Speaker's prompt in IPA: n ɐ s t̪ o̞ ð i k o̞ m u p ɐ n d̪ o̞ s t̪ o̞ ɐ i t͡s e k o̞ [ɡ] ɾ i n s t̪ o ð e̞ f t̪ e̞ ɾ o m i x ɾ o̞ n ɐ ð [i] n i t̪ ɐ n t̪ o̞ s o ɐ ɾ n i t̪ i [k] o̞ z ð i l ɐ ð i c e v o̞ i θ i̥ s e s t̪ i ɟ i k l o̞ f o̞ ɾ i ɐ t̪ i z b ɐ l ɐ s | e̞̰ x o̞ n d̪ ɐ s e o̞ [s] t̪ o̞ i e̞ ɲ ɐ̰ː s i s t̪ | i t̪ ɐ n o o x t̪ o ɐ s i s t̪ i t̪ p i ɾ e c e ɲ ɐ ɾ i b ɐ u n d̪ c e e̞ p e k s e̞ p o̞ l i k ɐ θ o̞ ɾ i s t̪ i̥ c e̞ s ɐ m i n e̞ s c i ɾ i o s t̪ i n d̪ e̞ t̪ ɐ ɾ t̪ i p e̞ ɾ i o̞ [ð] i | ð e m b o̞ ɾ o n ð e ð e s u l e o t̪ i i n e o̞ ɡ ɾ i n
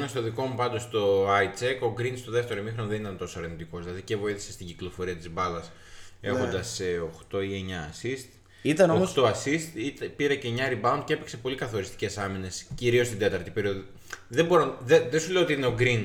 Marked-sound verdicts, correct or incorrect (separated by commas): correct, incorrect, correct, incorrect, correct